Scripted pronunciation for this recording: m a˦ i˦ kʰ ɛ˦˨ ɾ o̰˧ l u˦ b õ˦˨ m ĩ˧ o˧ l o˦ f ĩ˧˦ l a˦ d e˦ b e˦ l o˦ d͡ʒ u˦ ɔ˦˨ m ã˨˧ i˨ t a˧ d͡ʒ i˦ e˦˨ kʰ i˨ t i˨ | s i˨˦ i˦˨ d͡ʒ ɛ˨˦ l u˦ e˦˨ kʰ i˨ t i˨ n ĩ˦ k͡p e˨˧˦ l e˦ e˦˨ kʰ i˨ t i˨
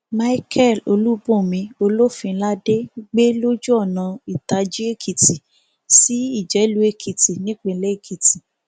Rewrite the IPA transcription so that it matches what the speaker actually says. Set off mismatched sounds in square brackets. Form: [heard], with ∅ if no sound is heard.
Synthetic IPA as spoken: m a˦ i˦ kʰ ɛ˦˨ [l] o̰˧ l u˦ b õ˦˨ m ĩ˧ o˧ l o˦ f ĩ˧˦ l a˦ d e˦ [ɡ͡b] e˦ l o˦ d͡ʒ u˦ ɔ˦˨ [n] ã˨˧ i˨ t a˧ d͡ʒ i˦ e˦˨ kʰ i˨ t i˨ | s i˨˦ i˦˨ d͡ʒ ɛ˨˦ l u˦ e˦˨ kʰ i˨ t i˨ n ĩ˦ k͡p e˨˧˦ l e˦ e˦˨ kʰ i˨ t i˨